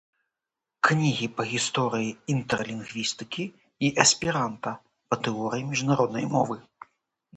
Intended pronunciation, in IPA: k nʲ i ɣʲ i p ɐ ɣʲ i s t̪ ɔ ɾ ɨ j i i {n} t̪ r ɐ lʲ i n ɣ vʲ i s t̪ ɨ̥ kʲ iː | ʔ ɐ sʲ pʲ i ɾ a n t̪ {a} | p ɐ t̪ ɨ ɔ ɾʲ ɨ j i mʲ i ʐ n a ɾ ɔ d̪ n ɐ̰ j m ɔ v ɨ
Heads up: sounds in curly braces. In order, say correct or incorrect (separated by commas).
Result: correct, incorrect